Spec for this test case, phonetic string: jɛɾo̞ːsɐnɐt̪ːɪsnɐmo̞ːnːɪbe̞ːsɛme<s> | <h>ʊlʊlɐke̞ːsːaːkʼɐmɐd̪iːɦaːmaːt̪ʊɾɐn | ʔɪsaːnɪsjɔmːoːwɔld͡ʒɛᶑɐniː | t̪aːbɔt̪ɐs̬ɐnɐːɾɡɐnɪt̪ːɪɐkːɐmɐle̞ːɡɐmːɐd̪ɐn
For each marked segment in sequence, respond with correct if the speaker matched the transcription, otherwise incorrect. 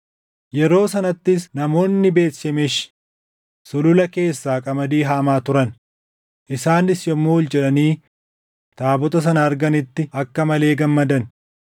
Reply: incorrect, incorrect

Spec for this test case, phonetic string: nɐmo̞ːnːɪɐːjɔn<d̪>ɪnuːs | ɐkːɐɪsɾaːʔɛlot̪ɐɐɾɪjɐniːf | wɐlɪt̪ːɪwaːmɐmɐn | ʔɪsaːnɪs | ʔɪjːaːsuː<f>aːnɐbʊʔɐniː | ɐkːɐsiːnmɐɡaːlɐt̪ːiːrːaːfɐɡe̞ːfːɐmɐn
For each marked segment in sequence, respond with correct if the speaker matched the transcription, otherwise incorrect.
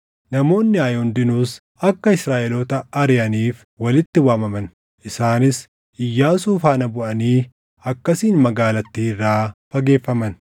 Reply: correct, correct

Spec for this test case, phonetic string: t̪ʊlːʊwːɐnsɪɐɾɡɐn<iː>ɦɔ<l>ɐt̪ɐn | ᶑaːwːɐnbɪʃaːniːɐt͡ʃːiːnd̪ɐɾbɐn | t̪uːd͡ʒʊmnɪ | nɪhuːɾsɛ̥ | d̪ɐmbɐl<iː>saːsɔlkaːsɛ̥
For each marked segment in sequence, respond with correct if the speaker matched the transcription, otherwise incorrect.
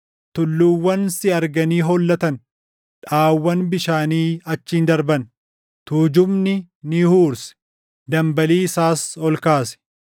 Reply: correct, incorrect, correct

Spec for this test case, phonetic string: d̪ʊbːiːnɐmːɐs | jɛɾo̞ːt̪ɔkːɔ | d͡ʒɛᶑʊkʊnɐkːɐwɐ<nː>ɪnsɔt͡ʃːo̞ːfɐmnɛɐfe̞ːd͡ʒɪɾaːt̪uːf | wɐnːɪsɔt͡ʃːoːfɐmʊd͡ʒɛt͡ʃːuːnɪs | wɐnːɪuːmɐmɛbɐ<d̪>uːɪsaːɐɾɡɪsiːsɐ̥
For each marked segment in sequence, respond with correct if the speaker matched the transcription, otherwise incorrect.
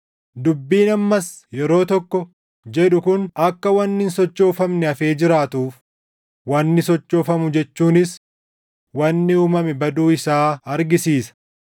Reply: correct, correct

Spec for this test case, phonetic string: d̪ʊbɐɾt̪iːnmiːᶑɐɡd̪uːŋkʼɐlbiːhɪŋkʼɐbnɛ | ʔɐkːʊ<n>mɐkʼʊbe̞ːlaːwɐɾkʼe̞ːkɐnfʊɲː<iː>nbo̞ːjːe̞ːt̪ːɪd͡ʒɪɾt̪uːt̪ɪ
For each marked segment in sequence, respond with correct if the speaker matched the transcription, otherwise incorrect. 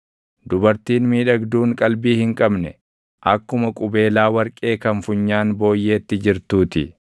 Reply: incorrect, incorrect

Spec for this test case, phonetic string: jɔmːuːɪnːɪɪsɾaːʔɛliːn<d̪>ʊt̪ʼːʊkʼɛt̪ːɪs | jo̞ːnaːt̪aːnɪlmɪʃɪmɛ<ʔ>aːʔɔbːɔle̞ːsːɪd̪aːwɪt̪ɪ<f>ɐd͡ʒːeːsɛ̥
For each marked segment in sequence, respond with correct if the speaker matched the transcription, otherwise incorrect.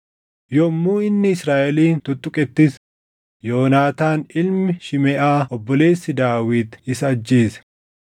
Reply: incorrect, correct, incorrect

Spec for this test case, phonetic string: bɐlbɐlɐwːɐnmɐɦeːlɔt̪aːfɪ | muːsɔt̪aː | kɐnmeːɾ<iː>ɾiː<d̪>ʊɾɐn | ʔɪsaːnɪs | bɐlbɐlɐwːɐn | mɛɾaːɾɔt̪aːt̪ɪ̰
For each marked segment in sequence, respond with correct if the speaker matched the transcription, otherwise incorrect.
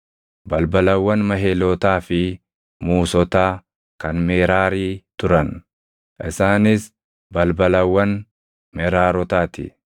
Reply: incorrect, incorrect

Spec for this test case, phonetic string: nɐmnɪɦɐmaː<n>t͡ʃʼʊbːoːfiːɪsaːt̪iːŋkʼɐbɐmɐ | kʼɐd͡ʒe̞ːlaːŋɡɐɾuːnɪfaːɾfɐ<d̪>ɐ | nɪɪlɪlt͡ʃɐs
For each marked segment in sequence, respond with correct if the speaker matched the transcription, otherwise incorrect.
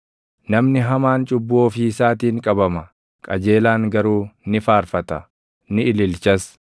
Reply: correct, incorrect

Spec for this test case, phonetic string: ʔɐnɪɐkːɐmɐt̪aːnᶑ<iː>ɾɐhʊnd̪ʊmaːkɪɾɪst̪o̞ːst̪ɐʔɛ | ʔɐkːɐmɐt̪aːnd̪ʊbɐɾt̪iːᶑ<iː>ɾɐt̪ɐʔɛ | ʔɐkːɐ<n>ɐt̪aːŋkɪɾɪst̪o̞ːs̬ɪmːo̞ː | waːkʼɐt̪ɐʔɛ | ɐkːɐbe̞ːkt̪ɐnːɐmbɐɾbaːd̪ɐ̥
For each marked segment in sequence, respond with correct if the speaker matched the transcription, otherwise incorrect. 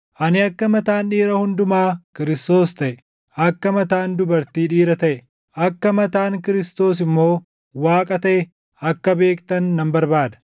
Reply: correct, correct, incorrect

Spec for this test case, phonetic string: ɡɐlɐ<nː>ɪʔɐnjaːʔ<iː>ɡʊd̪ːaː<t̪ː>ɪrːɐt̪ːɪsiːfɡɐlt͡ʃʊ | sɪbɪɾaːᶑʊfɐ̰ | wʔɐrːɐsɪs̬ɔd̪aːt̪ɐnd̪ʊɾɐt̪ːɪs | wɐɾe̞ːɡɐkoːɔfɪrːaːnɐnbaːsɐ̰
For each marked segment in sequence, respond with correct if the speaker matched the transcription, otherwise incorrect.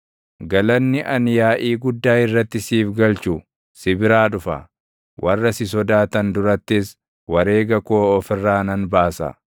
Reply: correct, correct, incorrect

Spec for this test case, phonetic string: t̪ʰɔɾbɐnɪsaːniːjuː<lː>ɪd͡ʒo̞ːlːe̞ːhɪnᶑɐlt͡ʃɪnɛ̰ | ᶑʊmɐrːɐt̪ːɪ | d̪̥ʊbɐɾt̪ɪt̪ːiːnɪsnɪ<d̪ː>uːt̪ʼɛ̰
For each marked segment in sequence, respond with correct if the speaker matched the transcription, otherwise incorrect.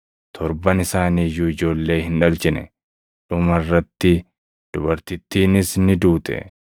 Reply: incorrect, incorrect

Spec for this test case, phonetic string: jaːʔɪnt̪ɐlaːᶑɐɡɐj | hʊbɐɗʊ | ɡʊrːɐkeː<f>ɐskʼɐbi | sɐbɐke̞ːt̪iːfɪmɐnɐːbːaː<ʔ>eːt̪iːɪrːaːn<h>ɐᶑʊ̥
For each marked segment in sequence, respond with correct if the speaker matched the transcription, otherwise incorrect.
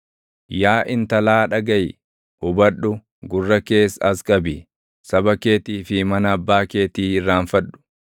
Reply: incorrect, incorrect, incorrect

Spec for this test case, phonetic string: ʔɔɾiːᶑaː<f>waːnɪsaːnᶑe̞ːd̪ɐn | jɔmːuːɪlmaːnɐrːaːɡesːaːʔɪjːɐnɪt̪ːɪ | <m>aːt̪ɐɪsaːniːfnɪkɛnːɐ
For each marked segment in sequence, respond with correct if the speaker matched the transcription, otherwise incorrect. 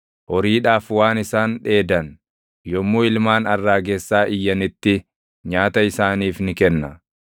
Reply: correct, incorrect

